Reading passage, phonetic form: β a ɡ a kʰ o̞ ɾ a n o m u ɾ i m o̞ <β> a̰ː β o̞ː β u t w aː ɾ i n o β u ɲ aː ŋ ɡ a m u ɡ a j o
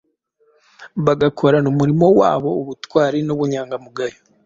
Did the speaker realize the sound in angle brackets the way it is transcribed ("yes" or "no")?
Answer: no